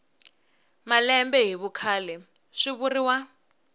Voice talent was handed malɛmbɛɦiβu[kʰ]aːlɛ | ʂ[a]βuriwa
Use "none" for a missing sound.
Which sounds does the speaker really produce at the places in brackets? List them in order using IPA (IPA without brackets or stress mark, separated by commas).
kʰ, i